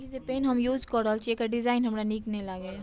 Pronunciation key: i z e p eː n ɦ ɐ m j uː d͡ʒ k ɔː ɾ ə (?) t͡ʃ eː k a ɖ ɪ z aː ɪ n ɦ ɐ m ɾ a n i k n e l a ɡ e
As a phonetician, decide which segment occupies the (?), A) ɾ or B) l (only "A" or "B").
B